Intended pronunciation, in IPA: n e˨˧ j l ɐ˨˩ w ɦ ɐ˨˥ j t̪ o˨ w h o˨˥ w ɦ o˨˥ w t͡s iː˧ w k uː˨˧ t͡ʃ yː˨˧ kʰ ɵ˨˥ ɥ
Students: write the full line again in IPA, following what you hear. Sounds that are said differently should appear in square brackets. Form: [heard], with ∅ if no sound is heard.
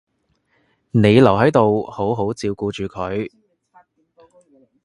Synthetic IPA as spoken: n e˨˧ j l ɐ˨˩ w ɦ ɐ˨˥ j t̪ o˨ w h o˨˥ w ɦ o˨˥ w t͡s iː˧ w k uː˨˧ t͡ʃ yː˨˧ kʰ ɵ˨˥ ɥ